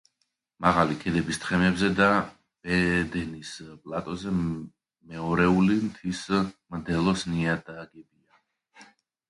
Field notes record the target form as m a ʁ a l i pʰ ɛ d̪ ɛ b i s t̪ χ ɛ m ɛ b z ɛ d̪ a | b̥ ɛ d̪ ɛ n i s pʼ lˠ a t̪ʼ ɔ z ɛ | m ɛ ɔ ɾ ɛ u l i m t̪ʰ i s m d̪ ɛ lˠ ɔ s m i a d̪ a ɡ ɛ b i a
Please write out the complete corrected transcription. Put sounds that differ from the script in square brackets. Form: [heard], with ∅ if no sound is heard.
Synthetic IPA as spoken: m a ʁ a l i [kʰ] ɛ d̪ ɛ b i s t̪ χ ɛ m ɛ b z ɛ d̪ a | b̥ ɛ d̪ ɛ n i s pʼ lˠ a t̪ʼ ɔ z ɛ | m ɛ ɔ ɾ ɛ u l i m t̪ʰ i s m d̪ ɛ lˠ ɔ s [n] i a d̪ a ɡ ɛ b i a